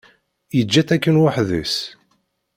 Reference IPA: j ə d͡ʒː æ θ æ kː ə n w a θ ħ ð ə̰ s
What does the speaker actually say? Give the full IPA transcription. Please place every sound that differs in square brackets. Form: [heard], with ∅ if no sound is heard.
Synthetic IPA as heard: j ə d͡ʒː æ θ æ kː ə n w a [∅] ħ ð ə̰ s